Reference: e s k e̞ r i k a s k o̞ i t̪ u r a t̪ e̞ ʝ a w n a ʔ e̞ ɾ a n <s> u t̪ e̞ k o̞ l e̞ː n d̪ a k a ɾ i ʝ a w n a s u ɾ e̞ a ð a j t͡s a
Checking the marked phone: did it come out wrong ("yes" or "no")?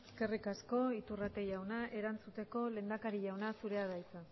yes